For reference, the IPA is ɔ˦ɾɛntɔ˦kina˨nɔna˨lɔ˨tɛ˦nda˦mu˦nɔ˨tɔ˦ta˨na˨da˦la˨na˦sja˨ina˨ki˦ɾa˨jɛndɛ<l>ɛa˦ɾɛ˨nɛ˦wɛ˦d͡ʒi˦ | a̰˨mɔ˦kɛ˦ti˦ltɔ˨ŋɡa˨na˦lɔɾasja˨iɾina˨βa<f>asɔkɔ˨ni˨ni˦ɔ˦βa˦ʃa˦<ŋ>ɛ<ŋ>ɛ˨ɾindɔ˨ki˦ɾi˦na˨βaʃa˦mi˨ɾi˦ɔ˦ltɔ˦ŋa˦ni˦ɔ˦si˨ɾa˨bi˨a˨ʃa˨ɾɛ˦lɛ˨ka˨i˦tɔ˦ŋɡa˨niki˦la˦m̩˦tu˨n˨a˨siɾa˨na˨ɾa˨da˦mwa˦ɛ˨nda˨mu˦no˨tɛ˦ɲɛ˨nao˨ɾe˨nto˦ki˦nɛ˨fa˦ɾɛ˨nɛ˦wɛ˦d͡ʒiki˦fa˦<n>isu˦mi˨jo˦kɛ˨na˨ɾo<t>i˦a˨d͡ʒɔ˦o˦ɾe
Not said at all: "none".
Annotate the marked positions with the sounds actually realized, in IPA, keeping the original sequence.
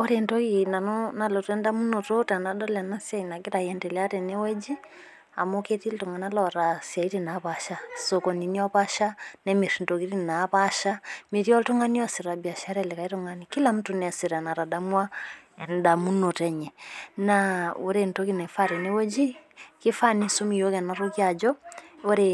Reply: l, ʃ, n, m, n, k

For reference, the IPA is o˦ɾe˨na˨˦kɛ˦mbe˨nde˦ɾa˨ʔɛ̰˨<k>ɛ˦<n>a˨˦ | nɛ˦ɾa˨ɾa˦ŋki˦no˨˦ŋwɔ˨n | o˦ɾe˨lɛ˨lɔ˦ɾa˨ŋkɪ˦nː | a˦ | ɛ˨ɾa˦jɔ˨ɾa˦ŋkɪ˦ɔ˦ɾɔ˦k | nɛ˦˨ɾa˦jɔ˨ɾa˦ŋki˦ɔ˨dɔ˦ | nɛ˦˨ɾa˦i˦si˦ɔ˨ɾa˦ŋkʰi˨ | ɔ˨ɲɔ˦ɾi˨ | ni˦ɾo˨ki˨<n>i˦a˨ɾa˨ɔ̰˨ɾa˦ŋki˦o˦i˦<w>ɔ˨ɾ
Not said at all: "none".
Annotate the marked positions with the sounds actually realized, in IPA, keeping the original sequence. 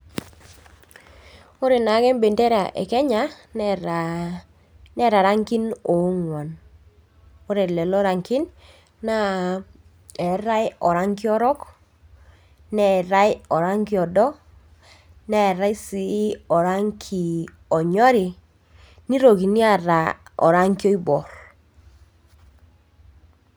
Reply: k, ɲ, n, b

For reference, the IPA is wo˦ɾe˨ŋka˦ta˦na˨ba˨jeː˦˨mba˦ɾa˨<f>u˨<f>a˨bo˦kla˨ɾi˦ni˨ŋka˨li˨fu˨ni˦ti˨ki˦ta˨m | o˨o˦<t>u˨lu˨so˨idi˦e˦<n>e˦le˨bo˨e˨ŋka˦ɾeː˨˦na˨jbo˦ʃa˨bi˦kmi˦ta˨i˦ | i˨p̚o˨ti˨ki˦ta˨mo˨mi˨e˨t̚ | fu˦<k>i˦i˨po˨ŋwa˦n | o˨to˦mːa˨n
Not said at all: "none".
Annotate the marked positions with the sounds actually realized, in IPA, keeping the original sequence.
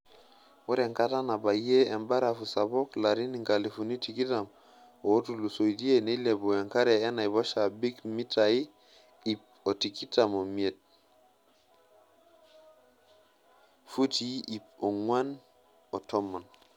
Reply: f, s, t, n, t

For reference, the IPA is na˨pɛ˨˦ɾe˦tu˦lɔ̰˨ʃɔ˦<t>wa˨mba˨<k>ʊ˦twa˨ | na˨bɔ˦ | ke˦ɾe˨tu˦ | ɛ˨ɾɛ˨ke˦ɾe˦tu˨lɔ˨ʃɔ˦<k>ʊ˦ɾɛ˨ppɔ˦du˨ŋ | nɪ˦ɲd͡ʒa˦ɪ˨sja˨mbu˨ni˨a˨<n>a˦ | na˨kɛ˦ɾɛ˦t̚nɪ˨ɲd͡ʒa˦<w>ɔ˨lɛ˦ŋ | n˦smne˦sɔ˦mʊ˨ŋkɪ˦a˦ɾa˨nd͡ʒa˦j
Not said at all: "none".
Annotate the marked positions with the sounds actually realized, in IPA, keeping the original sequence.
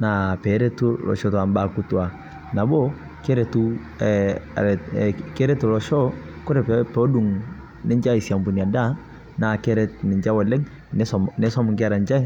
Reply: t, k, k, d, w

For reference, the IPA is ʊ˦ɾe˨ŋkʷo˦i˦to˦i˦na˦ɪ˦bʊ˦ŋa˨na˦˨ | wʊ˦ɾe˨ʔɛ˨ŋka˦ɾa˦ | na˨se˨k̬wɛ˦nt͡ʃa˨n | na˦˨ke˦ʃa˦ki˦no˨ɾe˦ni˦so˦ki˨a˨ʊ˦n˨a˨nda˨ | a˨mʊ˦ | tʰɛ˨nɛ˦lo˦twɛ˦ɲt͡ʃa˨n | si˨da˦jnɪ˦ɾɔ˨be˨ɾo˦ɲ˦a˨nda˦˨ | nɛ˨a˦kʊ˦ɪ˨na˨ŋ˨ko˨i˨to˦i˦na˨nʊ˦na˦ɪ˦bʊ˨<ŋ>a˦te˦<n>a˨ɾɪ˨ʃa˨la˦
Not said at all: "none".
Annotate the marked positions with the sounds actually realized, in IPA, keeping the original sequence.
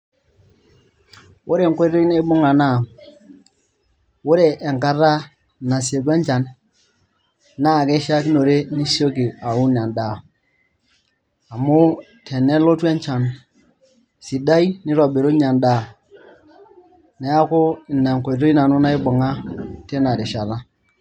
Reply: ŋ, n

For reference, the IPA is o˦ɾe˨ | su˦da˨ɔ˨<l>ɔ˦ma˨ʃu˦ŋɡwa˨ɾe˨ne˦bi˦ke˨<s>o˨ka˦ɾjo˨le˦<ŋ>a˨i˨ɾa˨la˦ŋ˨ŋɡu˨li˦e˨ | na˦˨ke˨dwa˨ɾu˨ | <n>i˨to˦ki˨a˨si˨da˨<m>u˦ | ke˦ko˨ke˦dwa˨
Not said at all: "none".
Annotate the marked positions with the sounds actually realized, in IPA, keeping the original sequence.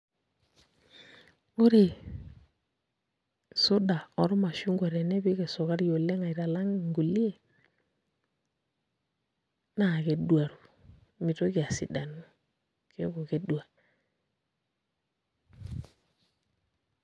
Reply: ɾ, s, ŋ, m, n

